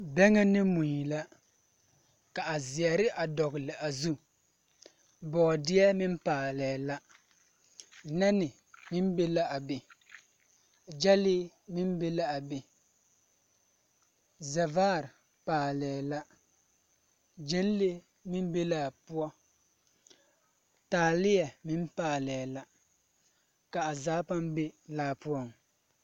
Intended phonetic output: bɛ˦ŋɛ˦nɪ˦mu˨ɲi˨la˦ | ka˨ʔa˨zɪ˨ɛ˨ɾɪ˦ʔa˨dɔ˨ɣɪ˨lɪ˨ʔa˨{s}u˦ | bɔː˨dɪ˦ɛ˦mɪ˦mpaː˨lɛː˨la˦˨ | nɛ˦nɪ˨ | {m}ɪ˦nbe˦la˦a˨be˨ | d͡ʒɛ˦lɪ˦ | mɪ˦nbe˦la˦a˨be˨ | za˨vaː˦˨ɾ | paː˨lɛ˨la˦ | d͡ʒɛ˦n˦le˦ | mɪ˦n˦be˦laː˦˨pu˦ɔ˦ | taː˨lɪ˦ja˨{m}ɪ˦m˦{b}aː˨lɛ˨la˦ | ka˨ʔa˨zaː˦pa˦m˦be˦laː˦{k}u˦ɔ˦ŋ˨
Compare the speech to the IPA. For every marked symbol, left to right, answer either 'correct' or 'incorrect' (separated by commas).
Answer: incorrect, correct, correct, incorrect, incorrect